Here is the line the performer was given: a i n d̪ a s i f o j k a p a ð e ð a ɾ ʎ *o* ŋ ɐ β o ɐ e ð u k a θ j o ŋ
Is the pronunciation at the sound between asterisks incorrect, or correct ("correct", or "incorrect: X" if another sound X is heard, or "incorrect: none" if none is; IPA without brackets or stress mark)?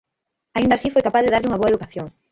incorrect: u